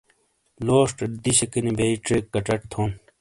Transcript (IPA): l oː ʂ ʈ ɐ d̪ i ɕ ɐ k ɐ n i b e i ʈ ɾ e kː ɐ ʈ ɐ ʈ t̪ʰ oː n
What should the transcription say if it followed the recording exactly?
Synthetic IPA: l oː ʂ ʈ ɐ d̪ i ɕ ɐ k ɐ n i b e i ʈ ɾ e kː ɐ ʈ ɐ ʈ t̪ʰ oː n